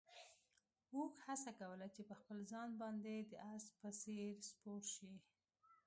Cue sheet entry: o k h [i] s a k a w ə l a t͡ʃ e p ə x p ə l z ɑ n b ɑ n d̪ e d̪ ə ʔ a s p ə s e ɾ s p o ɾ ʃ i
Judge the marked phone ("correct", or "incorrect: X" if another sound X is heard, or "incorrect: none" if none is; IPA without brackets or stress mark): incorrect: a